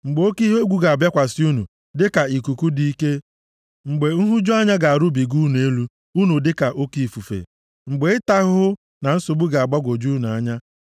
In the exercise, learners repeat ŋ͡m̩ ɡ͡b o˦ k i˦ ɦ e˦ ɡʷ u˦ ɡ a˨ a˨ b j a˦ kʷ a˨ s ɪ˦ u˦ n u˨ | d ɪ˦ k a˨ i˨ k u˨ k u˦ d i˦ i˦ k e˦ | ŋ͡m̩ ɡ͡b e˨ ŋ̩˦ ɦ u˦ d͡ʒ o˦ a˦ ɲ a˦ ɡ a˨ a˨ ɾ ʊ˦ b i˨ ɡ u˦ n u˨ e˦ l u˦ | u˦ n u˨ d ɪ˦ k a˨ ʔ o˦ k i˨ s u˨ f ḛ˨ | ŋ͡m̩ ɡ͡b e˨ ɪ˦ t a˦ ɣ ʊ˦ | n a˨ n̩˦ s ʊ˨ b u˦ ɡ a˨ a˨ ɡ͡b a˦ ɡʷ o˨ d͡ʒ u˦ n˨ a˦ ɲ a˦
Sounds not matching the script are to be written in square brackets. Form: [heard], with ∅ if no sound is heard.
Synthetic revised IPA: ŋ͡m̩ ɡ͡b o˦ k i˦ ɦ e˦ ɡʷ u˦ ɡ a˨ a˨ b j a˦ kʷ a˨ s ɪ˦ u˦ n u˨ | d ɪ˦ k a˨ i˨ k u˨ k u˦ d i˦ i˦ k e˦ | ŋ͡m̩ ɡ͡b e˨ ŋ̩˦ ɦ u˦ d͡ʒ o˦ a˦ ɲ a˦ ɡ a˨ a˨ ɾ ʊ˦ b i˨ ɡ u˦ n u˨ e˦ l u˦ | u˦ n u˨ d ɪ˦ k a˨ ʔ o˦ k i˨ [f] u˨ f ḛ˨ | ŋ͡m̩ ɡ͡b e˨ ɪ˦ t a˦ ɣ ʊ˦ | n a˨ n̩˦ s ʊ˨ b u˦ ɡ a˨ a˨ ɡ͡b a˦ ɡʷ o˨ d͡ʒ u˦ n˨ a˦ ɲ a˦